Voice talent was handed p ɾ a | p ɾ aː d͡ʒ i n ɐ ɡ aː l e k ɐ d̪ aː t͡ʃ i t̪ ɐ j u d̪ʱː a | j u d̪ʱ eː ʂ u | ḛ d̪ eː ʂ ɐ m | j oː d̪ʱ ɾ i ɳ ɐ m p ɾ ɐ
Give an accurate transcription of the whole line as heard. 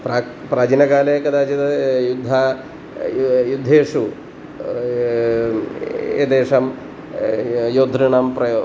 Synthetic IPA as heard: p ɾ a | p ɾ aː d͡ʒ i n ɐ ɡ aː l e k ɐ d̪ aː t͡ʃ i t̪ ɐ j u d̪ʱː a | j u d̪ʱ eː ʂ u | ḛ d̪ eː ʂ ɐ m | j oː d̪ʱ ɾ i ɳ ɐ m p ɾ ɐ